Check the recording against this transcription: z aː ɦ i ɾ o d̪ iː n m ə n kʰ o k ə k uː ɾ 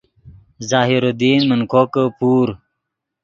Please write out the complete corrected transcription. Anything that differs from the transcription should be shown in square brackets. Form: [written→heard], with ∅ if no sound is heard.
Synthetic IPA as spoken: z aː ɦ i ɾ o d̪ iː n m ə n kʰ o k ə [k→p] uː ɾ